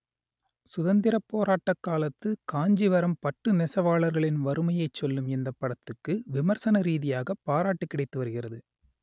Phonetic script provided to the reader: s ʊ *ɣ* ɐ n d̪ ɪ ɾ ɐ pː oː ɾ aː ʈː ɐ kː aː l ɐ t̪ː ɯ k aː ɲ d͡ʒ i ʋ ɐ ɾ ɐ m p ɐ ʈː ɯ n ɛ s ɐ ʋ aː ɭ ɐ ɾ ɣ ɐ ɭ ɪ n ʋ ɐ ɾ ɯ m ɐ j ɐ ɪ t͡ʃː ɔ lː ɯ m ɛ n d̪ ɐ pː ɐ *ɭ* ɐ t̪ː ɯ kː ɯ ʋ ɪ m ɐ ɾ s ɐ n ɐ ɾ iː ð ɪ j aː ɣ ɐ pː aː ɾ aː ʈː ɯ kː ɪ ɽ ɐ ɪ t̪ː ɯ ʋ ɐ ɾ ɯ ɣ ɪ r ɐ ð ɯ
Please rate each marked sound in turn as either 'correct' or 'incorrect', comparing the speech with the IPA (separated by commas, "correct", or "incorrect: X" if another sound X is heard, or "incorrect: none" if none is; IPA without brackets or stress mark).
incorrect: ð, incorrect: ɽ